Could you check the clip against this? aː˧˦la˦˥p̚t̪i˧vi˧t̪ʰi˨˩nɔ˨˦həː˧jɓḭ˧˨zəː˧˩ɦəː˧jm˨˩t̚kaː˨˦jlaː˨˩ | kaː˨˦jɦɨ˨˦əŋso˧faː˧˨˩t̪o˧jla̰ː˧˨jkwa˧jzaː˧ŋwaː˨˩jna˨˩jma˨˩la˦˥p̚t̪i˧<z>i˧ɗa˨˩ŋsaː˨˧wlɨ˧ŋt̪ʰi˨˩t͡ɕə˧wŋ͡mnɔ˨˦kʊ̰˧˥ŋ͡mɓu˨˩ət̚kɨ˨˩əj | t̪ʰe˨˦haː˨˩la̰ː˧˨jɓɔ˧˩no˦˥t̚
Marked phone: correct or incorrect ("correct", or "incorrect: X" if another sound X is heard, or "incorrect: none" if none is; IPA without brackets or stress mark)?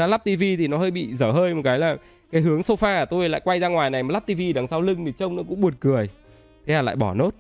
incorrect: v